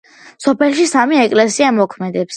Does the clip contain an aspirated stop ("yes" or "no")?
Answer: yes